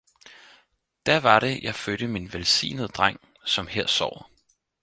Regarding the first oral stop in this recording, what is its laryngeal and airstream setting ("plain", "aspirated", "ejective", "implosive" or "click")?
plain